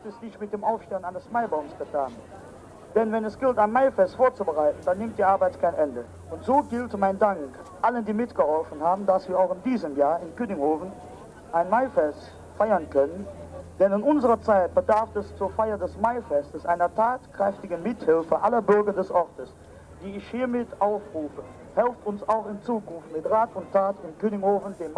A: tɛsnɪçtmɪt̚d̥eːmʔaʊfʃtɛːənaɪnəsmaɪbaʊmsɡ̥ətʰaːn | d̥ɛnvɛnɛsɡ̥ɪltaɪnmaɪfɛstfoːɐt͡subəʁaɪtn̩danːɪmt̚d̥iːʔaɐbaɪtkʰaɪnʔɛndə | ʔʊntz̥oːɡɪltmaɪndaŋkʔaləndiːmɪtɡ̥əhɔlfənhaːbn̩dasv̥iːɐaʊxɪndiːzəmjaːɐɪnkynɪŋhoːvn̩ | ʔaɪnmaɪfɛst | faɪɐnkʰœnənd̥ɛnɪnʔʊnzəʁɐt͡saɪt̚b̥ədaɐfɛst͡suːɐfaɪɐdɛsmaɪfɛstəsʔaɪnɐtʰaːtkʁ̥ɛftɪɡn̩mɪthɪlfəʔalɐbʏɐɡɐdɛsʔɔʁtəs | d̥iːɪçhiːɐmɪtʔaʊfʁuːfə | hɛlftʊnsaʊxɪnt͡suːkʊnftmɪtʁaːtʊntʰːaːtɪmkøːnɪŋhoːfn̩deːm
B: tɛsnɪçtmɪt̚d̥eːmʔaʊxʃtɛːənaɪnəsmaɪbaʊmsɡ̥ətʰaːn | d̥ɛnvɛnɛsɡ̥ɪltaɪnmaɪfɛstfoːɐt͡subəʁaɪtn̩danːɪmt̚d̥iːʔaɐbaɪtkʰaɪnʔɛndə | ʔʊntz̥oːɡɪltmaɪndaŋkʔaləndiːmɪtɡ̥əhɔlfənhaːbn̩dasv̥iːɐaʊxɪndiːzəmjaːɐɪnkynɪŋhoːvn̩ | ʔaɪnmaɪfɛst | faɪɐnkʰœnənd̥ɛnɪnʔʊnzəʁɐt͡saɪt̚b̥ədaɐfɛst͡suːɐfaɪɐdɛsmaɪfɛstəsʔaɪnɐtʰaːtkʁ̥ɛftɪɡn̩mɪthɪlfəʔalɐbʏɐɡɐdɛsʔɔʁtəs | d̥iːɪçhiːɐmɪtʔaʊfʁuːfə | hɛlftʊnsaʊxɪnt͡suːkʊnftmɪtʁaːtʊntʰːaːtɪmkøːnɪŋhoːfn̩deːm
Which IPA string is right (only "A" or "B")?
A